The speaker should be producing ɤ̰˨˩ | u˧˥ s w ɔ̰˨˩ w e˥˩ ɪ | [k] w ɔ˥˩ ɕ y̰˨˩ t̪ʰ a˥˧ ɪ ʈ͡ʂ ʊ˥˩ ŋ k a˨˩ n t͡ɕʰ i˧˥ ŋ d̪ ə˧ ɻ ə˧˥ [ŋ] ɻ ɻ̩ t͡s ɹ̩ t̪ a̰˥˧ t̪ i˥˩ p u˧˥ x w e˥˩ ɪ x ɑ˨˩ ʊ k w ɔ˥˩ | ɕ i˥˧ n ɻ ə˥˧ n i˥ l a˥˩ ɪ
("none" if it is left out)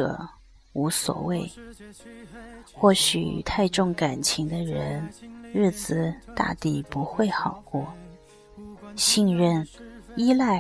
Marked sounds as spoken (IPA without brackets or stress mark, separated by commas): x, n